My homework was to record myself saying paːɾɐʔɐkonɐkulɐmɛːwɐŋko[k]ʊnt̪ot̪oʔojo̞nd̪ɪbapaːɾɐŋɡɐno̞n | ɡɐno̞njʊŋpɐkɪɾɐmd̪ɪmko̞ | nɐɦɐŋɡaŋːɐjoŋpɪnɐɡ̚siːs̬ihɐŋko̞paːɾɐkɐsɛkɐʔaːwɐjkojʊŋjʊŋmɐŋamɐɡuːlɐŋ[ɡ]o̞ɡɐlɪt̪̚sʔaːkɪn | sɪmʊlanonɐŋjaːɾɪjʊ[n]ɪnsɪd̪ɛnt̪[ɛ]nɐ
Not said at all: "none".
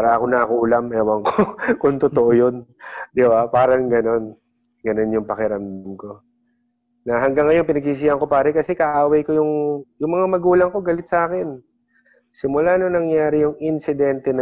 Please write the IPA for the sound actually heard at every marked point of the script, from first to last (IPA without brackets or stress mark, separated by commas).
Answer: k, k, ŋ, ɛ